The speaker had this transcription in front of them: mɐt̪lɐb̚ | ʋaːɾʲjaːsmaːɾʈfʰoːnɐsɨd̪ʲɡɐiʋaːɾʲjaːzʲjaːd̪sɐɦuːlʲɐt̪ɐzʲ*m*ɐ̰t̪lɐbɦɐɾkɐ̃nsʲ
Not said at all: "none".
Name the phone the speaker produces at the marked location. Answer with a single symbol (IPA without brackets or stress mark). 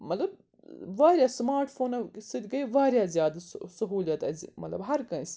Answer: m